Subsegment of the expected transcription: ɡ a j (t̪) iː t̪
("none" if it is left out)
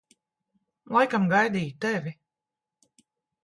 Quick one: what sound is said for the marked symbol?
d̪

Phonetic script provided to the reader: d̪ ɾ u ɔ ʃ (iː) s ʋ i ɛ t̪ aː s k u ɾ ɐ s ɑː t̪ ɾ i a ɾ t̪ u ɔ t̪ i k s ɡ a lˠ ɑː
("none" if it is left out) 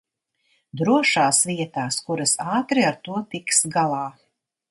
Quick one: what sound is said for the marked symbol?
aː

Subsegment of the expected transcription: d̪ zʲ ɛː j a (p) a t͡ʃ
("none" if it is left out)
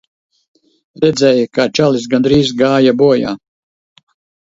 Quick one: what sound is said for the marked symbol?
k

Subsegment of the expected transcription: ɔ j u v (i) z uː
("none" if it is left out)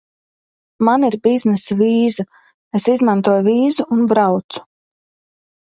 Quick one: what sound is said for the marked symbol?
iː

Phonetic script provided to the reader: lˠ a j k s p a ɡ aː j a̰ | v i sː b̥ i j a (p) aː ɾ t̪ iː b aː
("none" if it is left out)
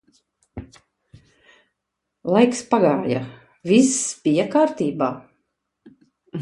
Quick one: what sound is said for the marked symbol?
k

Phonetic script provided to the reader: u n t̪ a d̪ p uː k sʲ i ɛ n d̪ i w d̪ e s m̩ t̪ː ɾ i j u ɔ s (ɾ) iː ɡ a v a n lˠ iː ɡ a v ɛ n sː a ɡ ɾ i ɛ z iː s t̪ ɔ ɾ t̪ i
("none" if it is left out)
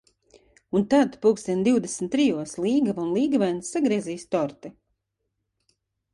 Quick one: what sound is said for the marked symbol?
l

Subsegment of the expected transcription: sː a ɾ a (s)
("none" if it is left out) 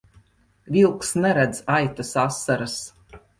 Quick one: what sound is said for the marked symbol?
s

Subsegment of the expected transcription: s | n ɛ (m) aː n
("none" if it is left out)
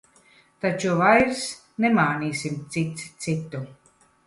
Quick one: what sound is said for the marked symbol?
m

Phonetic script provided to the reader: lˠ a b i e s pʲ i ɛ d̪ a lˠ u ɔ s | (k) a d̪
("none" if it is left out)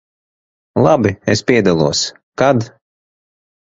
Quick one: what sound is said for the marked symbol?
k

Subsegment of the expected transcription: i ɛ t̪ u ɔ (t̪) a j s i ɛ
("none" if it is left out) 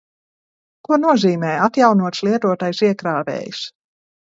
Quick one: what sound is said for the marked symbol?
t̪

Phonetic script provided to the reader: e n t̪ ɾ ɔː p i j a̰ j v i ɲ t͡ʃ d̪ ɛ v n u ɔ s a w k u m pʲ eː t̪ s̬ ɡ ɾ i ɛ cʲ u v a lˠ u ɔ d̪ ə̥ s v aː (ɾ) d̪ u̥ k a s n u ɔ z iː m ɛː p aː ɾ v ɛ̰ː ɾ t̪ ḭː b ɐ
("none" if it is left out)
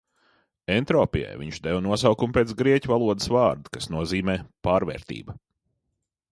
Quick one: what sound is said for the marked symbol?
ɾ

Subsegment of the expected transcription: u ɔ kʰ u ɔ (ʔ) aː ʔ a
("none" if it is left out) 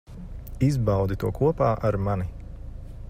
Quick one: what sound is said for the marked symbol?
p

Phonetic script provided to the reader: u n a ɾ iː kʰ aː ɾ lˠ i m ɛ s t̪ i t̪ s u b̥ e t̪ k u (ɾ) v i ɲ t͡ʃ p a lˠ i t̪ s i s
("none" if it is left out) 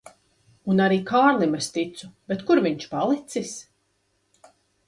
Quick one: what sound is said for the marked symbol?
ɾ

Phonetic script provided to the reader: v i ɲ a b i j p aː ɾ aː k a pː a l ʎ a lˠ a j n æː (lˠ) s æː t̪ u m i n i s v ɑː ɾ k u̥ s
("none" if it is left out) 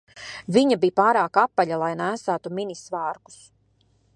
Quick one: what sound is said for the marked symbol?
none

